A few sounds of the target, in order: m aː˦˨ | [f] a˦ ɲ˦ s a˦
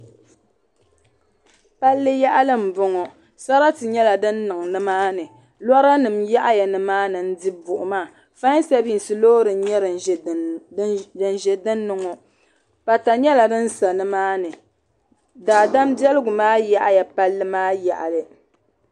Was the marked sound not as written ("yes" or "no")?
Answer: no